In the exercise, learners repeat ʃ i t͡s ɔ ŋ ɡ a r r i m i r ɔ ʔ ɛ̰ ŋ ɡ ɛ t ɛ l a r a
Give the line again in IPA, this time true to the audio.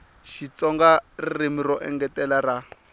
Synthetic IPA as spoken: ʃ i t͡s ɔ ŋ ɡ a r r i m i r ɔ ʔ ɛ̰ ŋ ɡ ɛ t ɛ l a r a